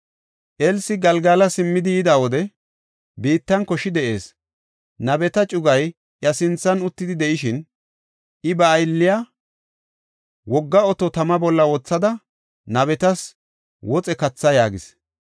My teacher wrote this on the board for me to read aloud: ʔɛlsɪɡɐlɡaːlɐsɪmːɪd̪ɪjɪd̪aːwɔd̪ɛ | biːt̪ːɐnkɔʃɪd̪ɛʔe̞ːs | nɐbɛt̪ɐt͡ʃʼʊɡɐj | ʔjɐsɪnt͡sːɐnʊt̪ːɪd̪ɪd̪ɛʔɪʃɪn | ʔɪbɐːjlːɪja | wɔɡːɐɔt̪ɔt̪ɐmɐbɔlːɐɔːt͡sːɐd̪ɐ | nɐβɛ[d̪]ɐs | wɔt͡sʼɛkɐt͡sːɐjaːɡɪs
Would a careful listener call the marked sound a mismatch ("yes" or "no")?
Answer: yes